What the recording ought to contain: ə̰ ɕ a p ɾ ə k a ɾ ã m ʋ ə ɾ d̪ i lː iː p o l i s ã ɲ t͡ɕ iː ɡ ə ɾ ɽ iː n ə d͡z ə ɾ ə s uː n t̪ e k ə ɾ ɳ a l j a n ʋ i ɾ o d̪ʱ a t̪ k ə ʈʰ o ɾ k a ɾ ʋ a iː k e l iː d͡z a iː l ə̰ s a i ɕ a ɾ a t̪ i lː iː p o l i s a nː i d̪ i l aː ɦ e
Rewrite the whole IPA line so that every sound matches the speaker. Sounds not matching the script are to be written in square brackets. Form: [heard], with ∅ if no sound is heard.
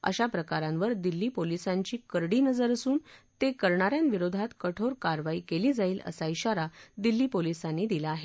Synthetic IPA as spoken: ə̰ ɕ a p ɾ ə k a ɾ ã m ʋ ə ɾ d̪ i lː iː p o l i s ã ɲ t͡ɕ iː [k] ə ɾ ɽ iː n ə d͡z ə ɾ ə s uː n t̪ e k ə ɾ ɳ a [ɾ] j a n ʋ i ɾ o d̪ʱ a t̪ k ə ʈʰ o ɾ k a ɾ ʋ a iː k e l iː d͡z a iː l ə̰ s a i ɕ a ɾ a [d̪] i lː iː p o l i s a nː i d̪ i l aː ɦ e